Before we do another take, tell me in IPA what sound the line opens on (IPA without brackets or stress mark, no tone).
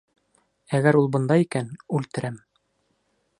æ